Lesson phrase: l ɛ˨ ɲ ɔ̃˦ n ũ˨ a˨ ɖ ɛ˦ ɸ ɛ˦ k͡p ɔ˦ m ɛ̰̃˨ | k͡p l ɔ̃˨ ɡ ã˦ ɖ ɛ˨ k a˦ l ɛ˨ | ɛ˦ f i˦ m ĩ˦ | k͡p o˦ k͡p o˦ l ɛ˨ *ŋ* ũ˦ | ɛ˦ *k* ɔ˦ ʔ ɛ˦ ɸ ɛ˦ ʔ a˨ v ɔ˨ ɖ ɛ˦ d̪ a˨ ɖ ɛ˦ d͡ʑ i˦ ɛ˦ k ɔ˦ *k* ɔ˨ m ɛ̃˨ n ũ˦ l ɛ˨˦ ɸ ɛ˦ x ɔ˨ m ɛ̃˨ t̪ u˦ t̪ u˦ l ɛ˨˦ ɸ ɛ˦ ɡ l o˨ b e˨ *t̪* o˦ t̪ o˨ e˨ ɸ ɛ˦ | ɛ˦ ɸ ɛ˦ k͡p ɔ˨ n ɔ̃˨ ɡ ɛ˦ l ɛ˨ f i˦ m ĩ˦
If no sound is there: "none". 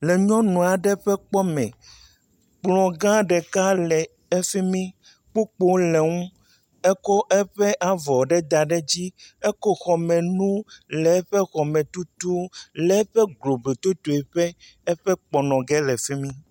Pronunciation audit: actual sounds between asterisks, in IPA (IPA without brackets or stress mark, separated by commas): ŋ, k, x, t̪